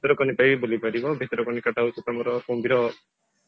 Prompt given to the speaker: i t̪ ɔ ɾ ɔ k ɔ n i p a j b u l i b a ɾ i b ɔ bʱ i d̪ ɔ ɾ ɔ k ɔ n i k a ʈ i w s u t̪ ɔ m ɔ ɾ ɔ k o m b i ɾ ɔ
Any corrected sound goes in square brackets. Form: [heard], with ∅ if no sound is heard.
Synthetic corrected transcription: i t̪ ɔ ɾ ɔ k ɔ n i p a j b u l i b a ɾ i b ɔ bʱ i [t̪] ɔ ɾ ɔ k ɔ n i k a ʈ [a] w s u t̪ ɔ m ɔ ɾ ɔ k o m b i ɾ ɔ